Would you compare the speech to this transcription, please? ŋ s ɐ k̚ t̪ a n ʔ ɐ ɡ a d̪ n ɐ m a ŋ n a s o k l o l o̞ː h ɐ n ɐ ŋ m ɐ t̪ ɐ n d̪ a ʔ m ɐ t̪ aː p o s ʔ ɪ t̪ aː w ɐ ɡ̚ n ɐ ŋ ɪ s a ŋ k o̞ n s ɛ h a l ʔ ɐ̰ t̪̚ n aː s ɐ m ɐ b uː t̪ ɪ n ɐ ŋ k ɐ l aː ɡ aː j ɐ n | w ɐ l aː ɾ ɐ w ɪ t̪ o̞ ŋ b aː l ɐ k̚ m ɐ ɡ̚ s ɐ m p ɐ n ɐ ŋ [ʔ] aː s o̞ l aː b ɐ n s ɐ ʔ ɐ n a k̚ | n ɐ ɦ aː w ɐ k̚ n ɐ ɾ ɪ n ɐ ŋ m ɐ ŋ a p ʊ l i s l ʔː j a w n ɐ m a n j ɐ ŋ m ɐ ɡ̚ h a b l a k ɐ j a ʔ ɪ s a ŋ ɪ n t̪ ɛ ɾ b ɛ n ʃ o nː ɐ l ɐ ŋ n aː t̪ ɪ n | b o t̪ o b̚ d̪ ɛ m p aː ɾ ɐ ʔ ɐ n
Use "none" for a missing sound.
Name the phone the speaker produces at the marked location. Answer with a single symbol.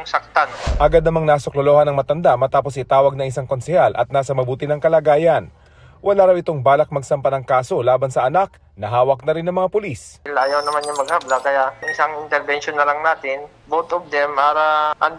k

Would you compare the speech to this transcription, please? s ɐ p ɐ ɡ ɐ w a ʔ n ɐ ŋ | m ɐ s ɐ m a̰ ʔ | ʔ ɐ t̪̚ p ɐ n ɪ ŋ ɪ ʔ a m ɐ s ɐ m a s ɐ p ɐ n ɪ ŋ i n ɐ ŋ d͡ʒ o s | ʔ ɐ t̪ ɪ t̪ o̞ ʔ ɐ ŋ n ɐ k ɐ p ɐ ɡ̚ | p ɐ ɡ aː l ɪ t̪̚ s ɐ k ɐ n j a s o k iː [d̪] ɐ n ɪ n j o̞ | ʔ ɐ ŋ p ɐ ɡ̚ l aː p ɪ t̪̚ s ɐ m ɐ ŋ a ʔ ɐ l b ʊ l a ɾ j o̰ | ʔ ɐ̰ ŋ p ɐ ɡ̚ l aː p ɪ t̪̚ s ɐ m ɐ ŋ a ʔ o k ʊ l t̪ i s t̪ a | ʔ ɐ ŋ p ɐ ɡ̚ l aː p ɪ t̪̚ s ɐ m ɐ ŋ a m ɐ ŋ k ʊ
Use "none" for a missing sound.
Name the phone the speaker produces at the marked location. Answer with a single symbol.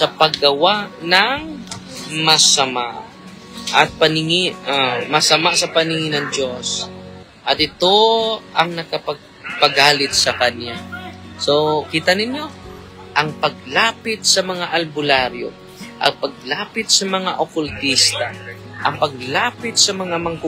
t̪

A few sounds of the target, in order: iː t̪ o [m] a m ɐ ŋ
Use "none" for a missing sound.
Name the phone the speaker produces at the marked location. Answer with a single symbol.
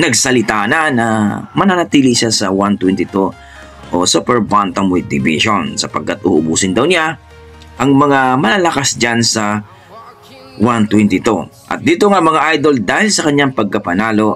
ŋ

